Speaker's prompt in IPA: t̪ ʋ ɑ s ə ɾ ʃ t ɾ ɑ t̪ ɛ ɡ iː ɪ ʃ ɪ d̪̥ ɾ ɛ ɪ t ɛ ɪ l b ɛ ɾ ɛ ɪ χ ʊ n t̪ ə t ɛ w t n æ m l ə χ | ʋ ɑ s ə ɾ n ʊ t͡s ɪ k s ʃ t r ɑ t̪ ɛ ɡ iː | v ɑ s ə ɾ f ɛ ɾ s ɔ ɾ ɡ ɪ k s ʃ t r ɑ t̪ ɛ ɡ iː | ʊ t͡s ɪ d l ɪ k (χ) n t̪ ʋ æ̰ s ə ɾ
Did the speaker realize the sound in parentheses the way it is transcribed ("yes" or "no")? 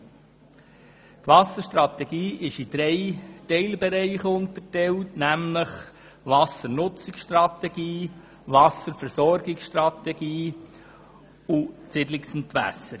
no